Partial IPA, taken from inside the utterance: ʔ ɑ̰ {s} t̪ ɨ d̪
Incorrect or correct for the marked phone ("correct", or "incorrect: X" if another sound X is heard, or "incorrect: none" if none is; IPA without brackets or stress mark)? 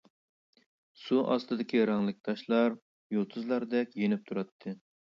correct